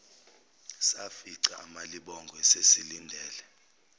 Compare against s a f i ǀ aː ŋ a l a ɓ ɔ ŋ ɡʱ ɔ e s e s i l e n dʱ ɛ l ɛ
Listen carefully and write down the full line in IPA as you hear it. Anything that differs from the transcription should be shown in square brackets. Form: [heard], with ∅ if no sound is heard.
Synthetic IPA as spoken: s a f i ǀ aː [m] a l [i] ɓ ɔ ŋ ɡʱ ɔ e s e s i l [i] n dʱ [ɛː] l ɛ